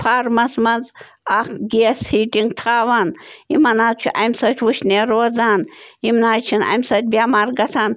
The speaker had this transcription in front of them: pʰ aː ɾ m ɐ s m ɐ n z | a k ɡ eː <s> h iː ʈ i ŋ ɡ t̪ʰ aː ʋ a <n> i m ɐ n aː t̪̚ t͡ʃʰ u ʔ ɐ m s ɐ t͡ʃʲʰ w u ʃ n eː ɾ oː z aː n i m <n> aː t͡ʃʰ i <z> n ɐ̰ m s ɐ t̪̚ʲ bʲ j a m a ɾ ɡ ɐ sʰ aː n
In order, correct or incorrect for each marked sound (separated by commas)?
correct, correct, correct, incorrect